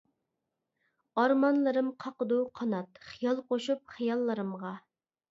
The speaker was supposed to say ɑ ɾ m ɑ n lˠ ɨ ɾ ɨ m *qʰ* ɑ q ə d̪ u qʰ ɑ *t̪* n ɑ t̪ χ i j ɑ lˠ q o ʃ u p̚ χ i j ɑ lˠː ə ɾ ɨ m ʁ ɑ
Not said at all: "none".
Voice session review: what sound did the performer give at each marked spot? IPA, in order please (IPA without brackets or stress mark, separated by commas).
qʰ, none